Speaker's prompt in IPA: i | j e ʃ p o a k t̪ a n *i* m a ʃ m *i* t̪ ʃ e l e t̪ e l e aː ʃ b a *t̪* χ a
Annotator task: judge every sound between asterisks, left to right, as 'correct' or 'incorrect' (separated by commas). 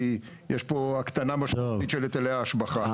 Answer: incorrect, correct, incorrect